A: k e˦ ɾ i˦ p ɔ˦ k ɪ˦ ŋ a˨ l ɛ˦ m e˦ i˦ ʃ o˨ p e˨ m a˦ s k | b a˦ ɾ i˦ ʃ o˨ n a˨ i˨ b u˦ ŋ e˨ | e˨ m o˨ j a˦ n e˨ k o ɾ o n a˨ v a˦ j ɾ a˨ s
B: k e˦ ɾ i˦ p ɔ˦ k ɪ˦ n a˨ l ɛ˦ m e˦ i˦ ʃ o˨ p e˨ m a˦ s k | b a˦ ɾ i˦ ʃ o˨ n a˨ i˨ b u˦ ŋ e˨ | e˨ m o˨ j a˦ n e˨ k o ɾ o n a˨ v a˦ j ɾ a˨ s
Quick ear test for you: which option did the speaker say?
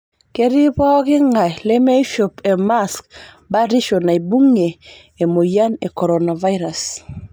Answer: A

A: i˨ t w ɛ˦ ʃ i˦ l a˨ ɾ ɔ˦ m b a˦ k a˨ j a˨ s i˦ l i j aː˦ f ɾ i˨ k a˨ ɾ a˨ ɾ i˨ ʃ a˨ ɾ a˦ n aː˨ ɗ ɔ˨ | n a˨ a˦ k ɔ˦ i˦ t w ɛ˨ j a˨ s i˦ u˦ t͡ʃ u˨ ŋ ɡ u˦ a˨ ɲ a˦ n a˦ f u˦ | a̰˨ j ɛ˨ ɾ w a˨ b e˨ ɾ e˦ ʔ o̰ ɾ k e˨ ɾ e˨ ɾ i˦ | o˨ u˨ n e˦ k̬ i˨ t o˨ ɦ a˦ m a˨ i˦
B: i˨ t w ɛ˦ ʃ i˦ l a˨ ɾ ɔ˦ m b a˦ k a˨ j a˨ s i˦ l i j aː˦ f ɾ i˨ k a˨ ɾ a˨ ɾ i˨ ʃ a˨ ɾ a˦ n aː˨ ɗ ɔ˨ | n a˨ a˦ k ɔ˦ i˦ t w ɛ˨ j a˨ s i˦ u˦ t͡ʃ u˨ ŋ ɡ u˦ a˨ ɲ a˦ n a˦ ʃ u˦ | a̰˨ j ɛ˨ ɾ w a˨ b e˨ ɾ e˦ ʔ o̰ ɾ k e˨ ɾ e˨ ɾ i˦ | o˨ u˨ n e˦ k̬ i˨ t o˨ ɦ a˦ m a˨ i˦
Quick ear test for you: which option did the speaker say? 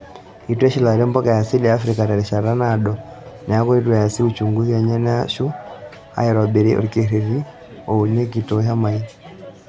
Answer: B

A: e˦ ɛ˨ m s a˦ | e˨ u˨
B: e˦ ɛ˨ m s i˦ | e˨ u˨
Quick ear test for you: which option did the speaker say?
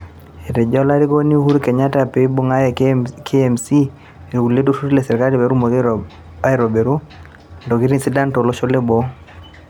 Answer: B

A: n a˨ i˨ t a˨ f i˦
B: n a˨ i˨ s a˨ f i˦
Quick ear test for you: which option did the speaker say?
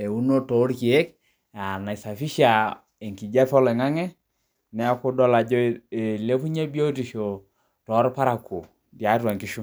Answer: B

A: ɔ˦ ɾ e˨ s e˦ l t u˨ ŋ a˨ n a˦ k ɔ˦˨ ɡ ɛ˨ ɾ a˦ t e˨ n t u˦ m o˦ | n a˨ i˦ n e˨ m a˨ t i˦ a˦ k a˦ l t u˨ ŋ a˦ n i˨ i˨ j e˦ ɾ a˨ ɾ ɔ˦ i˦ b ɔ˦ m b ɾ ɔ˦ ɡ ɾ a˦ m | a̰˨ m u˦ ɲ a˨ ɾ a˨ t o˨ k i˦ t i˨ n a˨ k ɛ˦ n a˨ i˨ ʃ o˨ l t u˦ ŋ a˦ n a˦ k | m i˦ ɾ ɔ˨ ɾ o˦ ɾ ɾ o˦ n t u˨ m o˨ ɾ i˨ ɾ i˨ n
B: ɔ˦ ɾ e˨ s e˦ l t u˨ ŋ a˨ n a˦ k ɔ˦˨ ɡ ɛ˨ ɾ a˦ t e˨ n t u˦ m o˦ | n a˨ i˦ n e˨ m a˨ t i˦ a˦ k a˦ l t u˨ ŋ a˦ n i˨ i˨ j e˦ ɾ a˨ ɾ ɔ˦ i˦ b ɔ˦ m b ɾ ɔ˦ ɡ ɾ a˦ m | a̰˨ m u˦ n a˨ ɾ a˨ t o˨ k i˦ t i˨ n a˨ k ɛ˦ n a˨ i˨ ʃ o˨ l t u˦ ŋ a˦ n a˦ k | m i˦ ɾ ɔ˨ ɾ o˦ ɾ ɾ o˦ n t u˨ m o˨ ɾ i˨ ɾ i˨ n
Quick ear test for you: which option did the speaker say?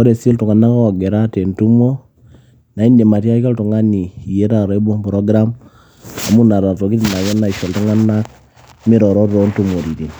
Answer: B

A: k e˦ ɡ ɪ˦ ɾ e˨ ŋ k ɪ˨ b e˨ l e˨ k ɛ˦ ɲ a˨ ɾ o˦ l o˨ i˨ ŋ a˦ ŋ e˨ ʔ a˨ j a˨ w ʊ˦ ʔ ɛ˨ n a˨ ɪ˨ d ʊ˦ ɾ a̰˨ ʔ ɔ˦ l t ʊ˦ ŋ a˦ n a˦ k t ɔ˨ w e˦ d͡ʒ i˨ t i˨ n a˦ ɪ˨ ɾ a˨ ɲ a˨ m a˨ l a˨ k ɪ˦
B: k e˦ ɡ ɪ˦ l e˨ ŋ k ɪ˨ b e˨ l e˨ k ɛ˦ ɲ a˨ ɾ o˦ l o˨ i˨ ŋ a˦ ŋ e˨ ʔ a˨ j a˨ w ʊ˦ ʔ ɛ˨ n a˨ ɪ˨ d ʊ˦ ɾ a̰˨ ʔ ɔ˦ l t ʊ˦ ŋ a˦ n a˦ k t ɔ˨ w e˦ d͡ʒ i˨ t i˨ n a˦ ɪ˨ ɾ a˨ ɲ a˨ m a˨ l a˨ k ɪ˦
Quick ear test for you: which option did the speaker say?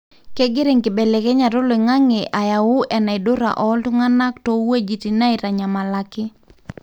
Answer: A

